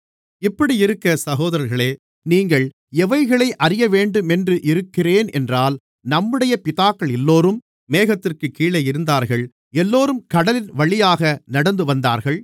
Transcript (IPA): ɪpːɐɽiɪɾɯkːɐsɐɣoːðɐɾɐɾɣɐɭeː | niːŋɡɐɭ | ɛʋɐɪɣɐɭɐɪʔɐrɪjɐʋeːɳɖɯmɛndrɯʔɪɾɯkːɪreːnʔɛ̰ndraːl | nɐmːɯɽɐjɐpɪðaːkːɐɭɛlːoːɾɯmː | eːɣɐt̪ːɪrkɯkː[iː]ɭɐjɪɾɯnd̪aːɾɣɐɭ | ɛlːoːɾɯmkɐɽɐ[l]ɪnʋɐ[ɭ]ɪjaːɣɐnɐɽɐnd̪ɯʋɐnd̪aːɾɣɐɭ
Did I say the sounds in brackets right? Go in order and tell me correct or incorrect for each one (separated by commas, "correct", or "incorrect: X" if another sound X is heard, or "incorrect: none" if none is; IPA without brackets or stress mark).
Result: correct, correct, correct